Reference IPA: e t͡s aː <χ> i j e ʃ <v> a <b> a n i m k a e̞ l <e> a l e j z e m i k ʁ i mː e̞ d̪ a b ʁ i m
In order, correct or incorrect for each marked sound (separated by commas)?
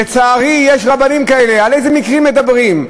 incorrect, incorrect, correct, correct